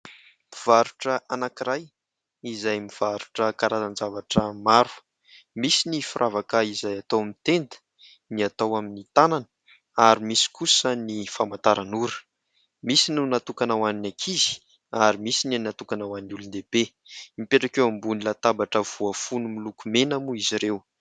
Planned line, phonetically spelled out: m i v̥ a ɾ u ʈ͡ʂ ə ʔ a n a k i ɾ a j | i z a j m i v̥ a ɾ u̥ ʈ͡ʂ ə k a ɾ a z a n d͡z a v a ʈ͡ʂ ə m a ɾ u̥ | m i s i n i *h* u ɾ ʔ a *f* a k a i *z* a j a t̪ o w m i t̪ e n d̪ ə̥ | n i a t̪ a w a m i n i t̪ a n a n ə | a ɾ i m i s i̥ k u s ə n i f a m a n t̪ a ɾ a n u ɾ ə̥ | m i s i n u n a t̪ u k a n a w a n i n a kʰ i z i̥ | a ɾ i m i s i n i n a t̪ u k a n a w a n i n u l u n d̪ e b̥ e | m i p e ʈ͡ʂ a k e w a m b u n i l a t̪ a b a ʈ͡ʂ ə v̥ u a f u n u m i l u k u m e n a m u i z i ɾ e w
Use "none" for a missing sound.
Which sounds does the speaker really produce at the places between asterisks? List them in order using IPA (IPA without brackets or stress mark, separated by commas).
f, v, z